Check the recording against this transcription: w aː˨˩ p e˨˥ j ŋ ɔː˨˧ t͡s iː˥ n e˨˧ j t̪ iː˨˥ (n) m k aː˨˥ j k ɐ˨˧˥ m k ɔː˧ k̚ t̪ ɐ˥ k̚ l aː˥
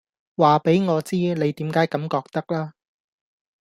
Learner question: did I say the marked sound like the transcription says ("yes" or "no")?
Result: no